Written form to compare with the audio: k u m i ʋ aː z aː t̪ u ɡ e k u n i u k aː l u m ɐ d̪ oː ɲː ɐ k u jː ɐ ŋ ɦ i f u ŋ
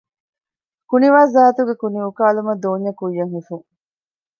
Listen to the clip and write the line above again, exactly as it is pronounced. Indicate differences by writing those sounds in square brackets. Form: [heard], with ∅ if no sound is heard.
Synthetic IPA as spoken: k u [n] i ʋ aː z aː t̪ u ɡ e k u n i u k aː l u m ɐ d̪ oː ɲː ɐ k u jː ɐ ŋ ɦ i f u ŋ